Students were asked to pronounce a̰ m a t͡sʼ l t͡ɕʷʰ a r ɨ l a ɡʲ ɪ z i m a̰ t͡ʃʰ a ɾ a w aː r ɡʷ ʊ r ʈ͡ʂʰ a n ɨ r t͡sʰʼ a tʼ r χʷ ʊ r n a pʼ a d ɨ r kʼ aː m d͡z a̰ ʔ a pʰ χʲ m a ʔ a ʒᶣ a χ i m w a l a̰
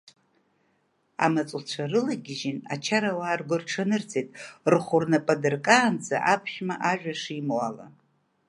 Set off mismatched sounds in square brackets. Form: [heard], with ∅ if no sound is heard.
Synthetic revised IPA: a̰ m a t͡sʼ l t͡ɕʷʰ a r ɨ l a ɡʲ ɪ [ʒ] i [n] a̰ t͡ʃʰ a ɾ a w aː r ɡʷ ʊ r ʈ͡ʂʰ a n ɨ r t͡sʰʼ [e] tʼ r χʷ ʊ r n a pʼ a d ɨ r kʼ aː [n] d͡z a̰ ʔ a pʰ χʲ m a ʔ a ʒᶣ a [ʂ] i m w a l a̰